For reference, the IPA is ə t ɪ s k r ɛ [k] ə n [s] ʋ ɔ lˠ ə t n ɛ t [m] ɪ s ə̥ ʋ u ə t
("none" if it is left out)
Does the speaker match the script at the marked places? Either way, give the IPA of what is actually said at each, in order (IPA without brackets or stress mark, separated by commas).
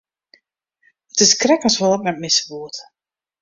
k, s, m